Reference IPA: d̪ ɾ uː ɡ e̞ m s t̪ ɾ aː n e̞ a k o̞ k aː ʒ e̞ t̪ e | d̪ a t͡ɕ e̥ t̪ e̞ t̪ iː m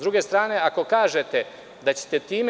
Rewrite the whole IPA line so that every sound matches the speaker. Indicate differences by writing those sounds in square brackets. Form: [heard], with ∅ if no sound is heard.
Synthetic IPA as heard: d̪ ɾ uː ɡ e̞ [∅] s t̪ ɾ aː n e̞ a k o̞ k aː ʒ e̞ t̪ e | d̪ a t͡ɕ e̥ t̪ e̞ t̪ iː m